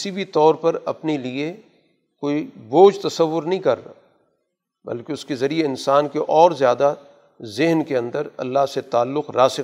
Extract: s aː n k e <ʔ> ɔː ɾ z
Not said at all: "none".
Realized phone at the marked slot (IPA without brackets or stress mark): ʔ